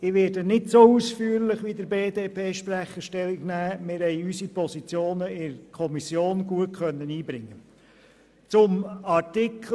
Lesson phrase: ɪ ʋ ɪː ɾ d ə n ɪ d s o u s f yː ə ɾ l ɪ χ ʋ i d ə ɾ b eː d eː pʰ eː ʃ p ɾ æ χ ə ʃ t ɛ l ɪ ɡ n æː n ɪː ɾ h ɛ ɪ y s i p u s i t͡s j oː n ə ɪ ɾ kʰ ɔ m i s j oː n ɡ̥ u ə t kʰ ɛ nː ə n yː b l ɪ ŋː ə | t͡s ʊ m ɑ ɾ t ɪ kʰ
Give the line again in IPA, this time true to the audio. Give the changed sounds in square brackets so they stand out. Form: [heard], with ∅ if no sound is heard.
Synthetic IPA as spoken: ɪ ʋ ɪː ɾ d ə n ɪ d s o u s f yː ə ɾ l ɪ χ ʋ i d ə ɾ b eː d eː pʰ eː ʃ p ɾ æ χ ə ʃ t ɛ l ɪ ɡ n æː [m] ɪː ɾ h ɛ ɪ y s i p [ɔ] s i t͡s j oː n ə ɪ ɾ kʰ ɔ m i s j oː n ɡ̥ u ə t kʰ [œ] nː ə n [iː] b [ɾ] ɪ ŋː ə | t͡s ʊ m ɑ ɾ t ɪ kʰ